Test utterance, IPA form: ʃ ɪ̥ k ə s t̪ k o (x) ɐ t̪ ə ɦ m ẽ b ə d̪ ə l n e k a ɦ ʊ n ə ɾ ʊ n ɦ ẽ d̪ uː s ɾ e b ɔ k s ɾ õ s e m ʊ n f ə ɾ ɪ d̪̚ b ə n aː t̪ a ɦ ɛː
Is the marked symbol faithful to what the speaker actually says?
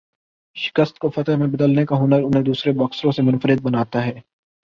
no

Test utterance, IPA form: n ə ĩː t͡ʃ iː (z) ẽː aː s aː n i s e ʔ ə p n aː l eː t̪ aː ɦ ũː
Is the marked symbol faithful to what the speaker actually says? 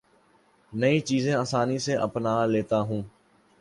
yes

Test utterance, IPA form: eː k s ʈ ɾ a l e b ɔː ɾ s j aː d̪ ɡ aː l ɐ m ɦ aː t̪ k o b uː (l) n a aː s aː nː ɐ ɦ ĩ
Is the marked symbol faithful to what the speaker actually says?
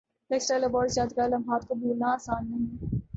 yes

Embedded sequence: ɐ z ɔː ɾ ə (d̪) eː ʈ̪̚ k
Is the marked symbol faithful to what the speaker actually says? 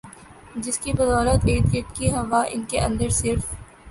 no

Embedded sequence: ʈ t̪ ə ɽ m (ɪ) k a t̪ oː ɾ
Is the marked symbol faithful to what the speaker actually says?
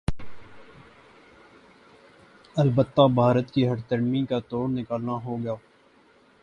no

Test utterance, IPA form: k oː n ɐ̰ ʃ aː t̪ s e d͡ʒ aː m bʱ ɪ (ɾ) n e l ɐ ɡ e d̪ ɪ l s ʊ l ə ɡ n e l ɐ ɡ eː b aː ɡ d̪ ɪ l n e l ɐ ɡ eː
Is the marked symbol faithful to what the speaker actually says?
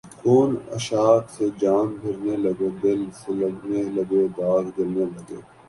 yes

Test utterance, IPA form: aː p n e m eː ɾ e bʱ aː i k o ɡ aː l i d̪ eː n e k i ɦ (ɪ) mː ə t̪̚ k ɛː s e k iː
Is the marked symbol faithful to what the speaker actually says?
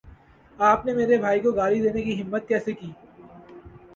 yes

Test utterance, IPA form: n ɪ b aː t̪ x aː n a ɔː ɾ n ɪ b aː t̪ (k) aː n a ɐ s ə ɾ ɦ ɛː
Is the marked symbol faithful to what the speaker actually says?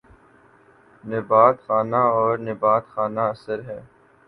no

